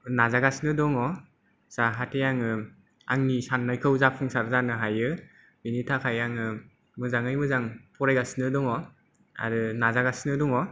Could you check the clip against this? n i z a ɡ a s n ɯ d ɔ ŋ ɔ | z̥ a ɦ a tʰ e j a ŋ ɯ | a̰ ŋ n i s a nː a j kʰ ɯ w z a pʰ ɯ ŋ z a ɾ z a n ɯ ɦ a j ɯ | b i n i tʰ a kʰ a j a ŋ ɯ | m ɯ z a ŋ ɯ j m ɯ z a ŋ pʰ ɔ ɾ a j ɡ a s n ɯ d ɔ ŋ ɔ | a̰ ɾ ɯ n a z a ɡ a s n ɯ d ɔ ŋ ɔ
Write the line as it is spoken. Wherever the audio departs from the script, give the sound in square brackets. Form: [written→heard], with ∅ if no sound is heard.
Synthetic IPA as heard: n [i→a] z a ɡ a s n ɯ d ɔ ŋ ɔ | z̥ a ɦ a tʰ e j a ŋ ɯ | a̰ ŋ n i s a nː a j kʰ ɯ w z a pʰ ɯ ŋ [z→s] a ɾ z a n ɯ ɦ a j ɯ | b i n i tʰ a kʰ a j a ŋ ɯ | m ɯ z a ŋ ɯ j m ɯ z a ŋ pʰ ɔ ɾ a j ɡ a s n ɯ d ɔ ŋ ɔ | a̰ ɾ ɯ n a z a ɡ a s n ɯ d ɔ ŋ ɔ